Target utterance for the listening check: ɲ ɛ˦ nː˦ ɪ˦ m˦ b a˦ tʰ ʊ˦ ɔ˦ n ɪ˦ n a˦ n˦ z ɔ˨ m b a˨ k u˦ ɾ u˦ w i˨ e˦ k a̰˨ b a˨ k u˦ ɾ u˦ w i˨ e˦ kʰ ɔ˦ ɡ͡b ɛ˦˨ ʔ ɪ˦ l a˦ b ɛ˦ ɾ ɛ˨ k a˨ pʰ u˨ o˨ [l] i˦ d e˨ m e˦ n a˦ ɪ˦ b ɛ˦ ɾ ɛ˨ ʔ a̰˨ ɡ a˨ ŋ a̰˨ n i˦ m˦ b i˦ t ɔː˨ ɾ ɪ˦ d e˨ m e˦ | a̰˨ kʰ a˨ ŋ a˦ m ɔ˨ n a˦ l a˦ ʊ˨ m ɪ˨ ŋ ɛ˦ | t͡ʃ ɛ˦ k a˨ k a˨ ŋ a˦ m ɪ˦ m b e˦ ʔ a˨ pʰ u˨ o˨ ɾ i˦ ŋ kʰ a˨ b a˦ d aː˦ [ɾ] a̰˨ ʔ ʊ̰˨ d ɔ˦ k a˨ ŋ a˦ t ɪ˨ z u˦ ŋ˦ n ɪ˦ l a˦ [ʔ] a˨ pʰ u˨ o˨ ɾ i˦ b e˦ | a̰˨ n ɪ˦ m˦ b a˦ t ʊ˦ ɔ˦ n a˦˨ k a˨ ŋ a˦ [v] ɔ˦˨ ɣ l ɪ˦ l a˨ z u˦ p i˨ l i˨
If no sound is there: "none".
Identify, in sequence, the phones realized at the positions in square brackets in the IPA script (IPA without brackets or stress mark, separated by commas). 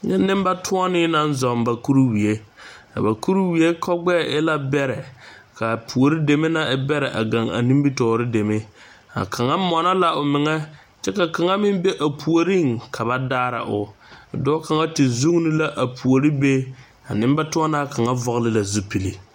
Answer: ɾ, ɾ, ʔ, v